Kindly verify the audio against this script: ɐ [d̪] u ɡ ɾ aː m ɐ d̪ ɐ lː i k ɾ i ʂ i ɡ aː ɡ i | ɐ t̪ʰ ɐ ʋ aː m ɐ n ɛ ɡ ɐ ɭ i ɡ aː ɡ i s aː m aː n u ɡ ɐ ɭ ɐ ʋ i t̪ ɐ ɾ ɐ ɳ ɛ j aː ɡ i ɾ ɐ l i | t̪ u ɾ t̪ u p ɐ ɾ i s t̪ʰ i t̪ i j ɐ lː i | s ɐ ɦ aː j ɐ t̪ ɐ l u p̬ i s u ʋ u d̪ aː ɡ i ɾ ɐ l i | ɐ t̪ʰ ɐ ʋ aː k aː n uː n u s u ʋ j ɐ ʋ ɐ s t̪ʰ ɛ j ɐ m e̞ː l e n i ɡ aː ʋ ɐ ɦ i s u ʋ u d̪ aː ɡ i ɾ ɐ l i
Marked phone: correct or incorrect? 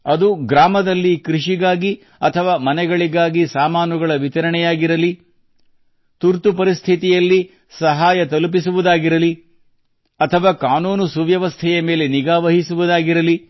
correct